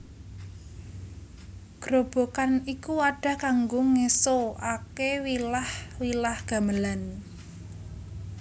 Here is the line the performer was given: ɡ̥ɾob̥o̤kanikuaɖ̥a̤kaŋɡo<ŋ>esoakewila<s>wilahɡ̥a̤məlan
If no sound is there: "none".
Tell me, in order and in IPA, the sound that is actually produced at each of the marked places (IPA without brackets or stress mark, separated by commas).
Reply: ŋ, h